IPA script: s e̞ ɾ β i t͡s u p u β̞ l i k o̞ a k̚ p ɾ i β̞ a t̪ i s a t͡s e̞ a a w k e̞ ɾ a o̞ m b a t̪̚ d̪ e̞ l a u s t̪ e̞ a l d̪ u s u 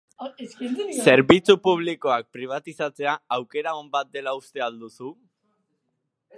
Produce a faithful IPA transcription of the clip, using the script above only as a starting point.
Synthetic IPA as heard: s e̞ ɾ β i t͡s u p u β̞ l i k o̞ a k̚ p ɾ i β̞ a t̪ i s a t͡s e̞ a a w k e̞ ɾ a o̞ m b a t̪̚ d̪ e̞ l a u s t̪ e̞ a l d̪ u s u